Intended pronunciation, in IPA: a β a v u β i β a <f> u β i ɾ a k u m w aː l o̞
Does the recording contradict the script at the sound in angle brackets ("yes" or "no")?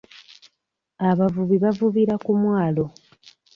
yes